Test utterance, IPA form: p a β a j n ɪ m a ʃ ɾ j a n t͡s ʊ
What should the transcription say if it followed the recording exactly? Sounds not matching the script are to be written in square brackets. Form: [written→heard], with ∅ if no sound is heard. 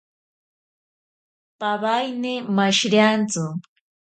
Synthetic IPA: p a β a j n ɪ m a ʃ ɾ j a n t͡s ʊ